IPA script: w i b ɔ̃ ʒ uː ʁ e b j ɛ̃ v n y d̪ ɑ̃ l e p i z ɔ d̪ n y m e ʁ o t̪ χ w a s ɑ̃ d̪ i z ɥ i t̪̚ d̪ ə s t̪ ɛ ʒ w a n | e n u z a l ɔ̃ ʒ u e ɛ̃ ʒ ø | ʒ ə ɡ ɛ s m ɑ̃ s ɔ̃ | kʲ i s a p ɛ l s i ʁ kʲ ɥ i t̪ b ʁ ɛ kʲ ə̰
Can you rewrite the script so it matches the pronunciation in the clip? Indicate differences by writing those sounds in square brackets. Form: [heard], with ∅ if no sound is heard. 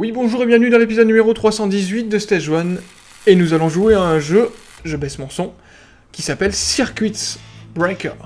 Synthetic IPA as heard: w i b ɔ̃ ʒ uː ʁ e b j ɛ̃ v n y d̪ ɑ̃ l e p i z ɔ d̪ n y m e ʁ o t̪ χ w a s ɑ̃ d̪ i z ɥ i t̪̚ d̪ ə s t̪ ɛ ʒ w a n | e n u z a l ɔ̃ ʒ u e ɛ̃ ʒ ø | ʒ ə [b] ɛ s m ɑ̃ s ɔ̃ | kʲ i s a p ɛ l s i ʁ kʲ ɥ i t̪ b ʁ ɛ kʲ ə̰

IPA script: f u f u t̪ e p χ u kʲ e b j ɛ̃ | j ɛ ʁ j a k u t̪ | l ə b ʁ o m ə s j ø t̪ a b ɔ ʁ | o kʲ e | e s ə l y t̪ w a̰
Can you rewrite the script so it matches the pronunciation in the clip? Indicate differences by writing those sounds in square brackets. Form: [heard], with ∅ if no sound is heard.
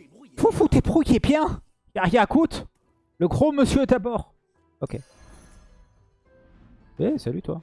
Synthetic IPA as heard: f u f u t̪ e p χ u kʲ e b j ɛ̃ | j [a] ʁ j a k u t̪ | l ə [ɡ] ʁ o m ə s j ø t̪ a b ɔ ʁ | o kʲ e | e s [a] l y t̪ w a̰

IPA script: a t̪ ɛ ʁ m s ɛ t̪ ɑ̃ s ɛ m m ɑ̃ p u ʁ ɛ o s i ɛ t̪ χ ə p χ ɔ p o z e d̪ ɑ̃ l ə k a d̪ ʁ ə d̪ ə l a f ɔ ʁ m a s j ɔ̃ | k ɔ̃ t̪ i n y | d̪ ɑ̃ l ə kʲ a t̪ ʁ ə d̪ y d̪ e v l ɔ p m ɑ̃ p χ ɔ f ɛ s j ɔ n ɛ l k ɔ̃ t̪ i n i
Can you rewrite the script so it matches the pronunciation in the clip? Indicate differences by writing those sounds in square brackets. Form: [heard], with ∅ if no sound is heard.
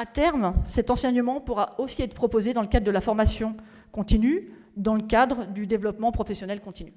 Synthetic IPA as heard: a t̪ ɛ ʁ m s ɛ t̪ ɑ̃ s ɛ [ɲ] m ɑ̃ p u ʁ [a] o s i ɛ t̪ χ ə p χ ɔ p o z e d̪ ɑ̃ l ə k a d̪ ʁ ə d̪ ə l a f ɔ ʁ m a s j ɔ̃ | k ɔ̃ t̪ i n y | d̪ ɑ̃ l ə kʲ a [d̪] ʁ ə d̪ y d̪ e v l ɔ p m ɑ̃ p χ ɔ f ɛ s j ɔ n ɛ l k ɔ̃ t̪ i n [y]

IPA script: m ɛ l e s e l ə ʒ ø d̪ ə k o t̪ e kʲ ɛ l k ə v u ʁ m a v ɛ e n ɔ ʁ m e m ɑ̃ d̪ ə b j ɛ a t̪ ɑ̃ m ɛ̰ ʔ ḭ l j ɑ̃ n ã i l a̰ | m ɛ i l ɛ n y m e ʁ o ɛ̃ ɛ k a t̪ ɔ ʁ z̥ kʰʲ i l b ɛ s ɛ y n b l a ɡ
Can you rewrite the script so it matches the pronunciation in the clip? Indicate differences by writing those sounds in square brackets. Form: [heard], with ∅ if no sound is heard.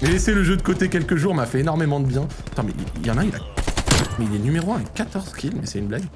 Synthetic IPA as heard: m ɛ l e s e l ə ʒ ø d̪ ə k o t̪ e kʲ ɛ l k ə [ʒ] u ʁ m a [f] ɛ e n ɔ ʁ m e m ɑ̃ d̪ ə b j [ɛ̃] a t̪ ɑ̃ m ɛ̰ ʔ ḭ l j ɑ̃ n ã i l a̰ | m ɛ i l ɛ n y m e ʁ o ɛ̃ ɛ k a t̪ ɔ ʁ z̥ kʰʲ i l [m] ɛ s ɛ y n b l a ɡ

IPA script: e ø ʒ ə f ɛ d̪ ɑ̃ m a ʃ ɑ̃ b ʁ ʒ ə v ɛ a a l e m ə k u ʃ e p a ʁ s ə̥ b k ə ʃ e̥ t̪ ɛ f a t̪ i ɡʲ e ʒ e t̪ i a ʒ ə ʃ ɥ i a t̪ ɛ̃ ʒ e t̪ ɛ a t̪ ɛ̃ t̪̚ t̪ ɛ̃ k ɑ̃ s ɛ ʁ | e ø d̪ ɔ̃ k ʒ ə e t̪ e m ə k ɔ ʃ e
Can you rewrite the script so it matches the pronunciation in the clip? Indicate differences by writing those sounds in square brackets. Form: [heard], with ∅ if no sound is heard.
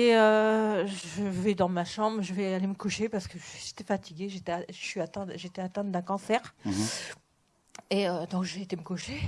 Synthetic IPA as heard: e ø ʒ ə [v] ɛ d̪ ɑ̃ m a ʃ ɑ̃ b ʁ ʒ ə v ɛ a a l e m ə k u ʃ e p a ʁ s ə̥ [∅] k ə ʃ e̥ t̪ ɛ f a t̪ i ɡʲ e ʒ e t̪ [ɛ] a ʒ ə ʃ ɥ i a t̪ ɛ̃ ʒ e t̪ ɛ a t̪ ɛ̃ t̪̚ [d̪] ɛ̃ k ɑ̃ s ɛ ʁ | e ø d̪ ɔ̃ k ʒ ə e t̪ e m ə k [u] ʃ e

